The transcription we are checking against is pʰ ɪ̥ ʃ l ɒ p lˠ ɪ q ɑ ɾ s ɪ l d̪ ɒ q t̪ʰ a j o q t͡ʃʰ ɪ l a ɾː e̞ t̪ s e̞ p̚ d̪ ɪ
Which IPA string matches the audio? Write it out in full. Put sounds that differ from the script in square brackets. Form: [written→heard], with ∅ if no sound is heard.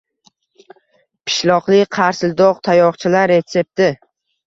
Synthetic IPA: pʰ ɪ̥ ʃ l ɒ [p→q] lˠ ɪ [q→qʰ] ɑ ɾ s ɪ l d̪ ɒ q t̪ʰ a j [o→ɒ] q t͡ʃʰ ɪ l a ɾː e̞ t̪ s e̞ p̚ [d̪→t̪] ɪ